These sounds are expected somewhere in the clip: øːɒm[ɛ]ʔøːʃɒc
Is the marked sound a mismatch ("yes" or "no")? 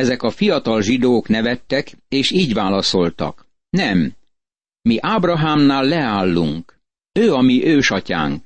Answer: yes